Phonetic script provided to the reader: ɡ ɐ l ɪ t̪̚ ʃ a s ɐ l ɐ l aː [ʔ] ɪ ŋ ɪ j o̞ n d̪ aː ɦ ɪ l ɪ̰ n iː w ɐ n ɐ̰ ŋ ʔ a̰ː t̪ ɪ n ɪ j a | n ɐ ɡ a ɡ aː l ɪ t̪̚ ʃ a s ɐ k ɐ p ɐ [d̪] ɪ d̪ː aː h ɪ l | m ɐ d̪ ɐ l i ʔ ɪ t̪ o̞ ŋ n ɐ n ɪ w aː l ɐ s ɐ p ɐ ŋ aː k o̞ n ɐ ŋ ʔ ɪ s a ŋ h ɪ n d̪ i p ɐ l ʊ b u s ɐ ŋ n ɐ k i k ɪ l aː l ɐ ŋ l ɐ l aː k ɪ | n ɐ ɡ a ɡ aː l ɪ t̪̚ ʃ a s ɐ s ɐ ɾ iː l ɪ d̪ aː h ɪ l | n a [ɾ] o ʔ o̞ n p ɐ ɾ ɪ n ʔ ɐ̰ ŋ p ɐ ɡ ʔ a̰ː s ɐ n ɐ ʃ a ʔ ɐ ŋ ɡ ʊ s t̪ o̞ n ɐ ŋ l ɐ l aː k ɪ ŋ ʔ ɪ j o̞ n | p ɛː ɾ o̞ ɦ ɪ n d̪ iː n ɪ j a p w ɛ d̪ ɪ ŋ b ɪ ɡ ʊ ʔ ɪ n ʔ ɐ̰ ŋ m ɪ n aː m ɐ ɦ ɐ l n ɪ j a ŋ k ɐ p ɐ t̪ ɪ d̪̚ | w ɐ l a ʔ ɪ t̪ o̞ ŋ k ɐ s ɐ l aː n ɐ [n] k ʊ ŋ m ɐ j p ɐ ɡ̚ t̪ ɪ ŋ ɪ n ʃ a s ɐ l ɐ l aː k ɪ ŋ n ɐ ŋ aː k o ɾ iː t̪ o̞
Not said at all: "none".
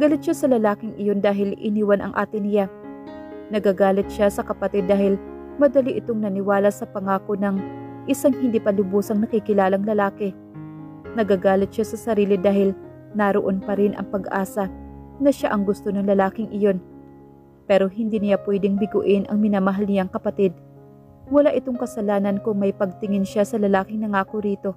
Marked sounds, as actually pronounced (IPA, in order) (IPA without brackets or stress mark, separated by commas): k, t̪, ɾ, n